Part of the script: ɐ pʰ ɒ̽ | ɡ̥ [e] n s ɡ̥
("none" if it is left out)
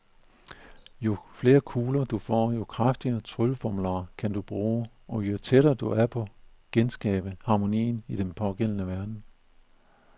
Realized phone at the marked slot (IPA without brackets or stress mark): e